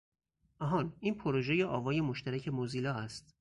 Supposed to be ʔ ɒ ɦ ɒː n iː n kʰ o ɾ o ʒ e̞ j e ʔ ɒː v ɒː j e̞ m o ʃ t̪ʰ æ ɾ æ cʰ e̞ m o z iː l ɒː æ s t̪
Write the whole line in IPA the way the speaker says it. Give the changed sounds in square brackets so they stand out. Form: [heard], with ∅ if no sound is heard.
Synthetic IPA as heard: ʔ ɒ ɦ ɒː n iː n [pʰ] o ɾ o ʒ e̞ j e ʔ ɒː v ɒː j e̞ m o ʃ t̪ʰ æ ɾ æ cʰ e̞ m o z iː l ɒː æ s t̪